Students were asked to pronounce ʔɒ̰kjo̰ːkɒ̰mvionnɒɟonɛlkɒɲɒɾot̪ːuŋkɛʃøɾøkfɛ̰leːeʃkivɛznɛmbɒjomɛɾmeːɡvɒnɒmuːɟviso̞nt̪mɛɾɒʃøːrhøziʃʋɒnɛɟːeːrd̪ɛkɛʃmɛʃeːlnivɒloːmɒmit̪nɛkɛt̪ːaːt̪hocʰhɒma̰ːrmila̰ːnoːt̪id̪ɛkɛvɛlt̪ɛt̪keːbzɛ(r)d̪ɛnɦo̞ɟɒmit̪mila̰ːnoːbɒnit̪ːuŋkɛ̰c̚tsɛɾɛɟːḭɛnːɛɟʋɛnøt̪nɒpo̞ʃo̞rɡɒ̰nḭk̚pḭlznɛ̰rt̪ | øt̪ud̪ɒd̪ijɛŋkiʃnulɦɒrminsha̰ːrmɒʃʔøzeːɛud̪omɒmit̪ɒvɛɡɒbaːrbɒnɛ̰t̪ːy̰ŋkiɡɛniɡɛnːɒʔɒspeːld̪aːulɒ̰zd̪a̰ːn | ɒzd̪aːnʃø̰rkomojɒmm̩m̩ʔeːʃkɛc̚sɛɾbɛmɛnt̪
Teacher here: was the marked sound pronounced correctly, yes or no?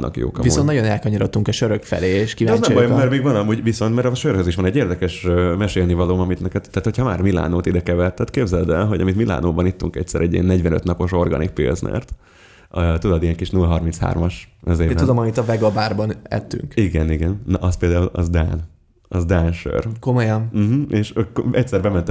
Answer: no